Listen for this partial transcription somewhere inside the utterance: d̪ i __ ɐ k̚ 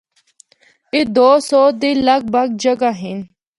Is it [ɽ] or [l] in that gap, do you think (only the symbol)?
l